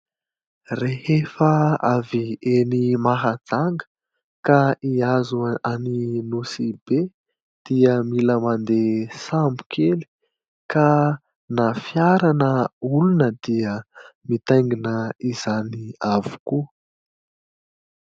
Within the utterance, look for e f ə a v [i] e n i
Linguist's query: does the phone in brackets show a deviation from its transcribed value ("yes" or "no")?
no